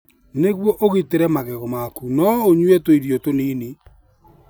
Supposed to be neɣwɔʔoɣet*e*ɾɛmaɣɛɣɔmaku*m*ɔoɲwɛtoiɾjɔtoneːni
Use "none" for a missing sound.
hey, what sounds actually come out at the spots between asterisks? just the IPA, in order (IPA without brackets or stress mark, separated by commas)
e, n